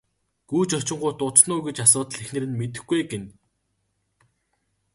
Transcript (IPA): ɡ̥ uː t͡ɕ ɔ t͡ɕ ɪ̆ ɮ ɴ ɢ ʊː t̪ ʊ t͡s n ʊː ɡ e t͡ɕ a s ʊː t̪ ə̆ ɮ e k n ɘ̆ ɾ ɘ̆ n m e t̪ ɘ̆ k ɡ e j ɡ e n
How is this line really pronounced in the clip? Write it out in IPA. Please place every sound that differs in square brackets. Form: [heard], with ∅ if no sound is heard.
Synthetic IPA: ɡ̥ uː t͡ɕ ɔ t͡ɕ ɪ̆ [∅] ɴ ɢ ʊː t̪ ʊ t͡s n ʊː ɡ e t͡ɕ a s ʊː t̪ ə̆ ɮ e [x] n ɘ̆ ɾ ɘ̆ n m e t̪ ɘ̆ [x] ɡ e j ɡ e n